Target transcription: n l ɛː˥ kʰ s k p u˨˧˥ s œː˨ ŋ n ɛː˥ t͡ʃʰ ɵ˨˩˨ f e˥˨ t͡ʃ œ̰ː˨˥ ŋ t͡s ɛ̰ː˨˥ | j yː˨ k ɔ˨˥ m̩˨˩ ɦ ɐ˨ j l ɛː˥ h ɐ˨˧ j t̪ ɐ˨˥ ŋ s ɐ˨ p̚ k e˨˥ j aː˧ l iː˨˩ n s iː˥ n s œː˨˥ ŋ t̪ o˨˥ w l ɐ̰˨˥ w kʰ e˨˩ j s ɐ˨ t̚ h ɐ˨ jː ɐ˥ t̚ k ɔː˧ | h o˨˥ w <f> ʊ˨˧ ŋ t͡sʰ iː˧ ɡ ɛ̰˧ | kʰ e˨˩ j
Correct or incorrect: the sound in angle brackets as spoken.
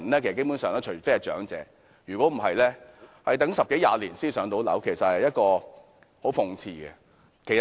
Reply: correct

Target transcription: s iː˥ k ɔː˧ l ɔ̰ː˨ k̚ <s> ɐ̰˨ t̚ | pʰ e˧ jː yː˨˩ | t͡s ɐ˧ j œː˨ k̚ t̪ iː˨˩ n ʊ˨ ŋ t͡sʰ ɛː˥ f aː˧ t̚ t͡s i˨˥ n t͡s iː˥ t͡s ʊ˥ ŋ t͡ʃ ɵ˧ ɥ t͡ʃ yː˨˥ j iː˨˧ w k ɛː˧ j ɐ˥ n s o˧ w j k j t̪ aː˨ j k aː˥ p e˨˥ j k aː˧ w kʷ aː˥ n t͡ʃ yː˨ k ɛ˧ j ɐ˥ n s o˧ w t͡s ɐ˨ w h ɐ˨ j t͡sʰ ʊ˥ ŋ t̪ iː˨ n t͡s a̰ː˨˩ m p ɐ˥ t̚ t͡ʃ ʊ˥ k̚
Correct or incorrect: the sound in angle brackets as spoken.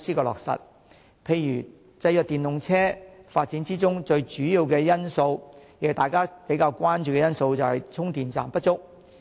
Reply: correct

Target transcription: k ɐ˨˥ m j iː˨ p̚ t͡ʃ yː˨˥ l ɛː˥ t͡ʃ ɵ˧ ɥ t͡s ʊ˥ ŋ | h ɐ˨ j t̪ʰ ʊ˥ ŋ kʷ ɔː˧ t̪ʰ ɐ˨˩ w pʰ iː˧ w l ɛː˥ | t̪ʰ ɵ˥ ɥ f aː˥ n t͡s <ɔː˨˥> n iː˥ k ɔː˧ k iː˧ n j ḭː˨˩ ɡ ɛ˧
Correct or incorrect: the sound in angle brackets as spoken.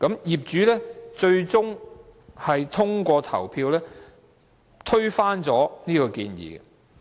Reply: correct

